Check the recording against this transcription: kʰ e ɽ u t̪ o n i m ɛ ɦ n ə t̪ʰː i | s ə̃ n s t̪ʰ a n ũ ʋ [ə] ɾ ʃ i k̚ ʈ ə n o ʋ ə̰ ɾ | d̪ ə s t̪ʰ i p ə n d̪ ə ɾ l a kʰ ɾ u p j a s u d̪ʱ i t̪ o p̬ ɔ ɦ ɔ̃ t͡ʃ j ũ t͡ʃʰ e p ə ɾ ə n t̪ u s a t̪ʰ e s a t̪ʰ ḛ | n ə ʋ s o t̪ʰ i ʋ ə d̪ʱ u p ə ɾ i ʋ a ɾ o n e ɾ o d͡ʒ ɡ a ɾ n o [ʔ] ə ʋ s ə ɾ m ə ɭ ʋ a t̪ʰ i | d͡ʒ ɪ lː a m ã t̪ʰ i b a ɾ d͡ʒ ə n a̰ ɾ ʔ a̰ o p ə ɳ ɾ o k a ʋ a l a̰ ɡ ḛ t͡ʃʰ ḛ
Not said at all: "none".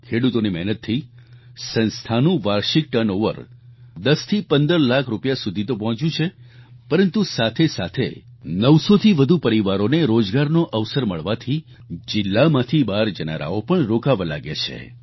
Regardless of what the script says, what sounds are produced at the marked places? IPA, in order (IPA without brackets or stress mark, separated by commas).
a, ʔ